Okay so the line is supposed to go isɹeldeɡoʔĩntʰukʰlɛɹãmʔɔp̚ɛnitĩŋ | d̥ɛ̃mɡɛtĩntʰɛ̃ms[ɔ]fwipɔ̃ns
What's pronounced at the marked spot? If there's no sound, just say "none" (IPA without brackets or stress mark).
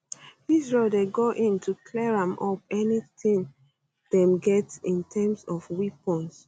ɔ